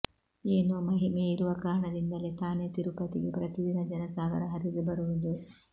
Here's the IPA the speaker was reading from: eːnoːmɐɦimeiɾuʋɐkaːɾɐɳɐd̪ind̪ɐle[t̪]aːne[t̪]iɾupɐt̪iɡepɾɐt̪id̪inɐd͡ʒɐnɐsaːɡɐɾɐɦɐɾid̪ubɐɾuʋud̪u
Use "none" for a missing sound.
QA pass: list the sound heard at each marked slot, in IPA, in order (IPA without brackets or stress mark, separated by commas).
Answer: t̪, t̪